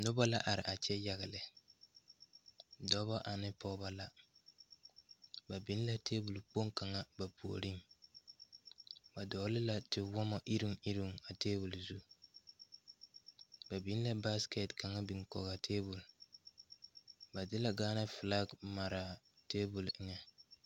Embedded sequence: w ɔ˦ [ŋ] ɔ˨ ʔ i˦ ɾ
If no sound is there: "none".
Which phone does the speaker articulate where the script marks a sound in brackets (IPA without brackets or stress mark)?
m